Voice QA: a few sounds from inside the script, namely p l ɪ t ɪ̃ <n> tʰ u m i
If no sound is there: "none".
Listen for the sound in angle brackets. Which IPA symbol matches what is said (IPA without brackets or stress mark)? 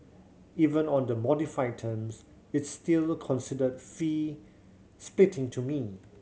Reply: ŋ